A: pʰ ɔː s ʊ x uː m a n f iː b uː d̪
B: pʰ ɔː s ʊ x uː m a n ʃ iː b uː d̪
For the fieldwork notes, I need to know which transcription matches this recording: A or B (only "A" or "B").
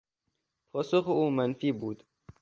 A